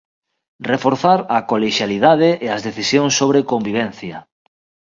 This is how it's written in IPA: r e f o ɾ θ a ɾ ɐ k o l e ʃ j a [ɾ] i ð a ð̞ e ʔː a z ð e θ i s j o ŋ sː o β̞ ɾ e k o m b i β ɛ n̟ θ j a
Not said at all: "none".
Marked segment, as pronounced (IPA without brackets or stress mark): l